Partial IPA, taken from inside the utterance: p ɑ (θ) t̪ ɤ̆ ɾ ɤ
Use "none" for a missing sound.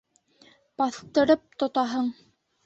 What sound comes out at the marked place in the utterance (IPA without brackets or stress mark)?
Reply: θ